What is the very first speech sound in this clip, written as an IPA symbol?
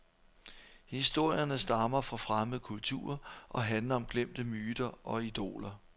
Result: h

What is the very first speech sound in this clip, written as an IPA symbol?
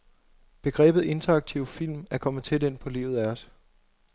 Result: b̥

